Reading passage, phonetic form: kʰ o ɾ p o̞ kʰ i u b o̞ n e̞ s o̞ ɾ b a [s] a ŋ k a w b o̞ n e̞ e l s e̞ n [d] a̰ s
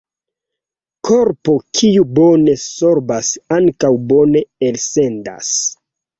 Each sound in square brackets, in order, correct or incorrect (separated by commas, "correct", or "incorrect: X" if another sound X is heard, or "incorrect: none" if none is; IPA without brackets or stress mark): correct, correct